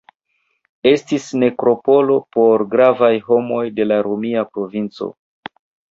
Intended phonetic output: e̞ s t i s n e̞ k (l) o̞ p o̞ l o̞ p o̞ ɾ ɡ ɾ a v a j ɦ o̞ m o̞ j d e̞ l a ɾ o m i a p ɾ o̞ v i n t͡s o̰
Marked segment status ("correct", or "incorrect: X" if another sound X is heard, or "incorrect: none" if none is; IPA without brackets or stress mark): incorrect: ɾ